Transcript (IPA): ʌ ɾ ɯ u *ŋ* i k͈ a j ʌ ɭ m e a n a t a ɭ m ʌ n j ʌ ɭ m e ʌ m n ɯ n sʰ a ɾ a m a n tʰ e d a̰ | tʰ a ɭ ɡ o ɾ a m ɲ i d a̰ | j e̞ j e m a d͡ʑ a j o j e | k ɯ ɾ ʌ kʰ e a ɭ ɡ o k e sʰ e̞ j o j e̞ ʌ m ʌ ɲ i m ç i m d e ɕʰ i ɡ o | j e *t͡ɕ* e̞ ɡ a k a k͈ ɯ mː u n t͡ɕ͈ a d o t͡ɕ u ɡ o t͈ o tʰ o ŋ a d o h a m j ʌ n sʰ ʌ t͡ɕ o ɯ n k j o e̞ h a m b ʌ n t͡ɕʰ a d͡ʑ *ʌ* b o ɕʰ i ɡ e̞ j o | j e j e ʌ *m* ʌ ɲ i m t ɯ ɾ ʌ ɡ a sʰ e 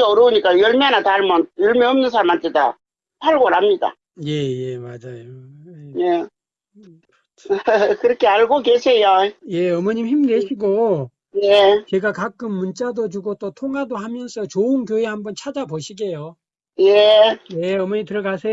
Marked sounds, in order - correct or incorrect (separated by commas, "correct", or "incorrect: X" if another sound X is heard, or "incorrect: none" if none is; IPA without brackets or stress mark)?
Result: incorrect: ɲ, correct, incorrect: a, correct